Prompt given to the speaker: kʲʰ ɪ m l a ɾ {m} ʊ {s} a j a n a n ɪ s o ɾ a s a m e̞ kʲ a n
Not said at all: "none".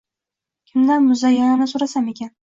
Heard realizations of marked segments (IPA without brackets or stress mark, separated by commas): m, z